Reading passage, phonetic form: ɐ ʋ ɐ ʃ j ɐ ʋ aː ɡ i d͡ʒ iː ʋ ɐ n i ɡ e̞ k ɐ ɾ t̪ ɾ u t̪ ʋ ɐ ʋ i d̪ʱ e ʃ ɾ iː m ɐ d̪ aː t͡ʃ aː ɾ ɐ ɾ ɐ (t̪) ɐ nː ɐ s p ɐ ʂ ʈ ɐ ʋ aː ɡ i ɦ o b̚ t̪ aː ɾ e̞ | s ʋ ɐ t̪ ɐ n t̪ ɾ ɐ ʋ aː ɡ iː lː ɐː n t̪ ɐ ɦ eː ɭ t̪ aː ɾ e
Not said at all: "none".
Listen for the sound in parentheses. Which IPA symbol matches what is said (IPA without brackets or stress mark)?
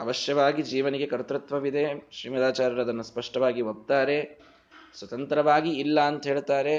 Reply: d̪